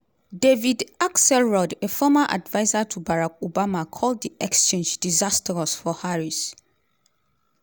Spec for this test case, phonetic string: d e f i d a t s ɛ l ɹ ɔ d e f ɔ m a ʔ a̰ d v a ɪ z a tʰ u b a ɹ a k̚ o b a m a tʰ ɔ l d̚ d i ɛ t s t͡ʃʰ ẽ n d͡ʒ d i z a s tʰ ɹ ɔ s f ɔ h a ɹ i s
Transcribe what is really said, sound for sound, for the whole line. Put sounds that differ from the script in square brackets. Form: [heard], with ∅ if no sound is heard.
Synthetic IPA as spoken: d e [v] i d a [k] s ɛ l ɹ ɔ d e f ɔ m a ʔ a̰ d v a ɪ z a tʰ u b a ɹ a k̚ o b a m a [kʰ] ɔ l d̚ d i ɛ [k] s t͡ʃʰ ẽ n d͡ʒ d i z a s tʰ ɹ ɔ s f ɔ h a ɹ i s